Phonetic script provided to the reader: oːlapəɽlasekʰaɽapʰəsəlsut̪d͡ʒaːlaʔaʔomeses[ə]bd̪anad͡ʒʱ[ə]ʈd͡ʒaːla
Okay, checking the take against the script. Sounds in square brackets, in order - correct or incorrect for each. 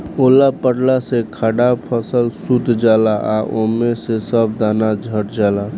correct, correct

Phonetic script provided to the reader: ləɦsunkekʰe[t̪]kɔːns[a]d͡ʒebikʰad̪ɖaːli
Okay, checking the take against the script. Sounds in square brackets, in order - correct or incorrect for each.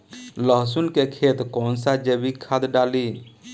correct, correct

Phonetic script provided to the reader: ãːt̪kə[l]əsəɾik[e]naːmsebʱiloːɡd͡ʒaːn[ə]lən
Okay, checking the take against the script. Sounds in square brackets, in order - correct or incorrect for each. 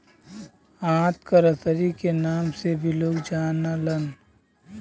incorrect: ɾ, correct, incorrect: a

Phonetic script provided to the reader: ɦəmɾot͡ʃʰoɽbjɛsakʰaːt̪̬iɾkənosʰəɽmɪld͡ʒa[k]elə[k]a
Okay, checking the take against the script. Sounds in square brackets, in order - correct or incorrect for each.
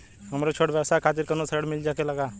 correct, incorrect: ɡ

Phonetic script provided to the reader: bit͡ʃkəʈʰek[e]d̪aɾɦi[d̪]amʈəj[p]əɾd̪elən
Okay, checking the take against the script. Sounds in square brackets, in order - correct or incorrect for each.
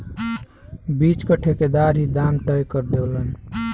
correct, correct, incorrect: k

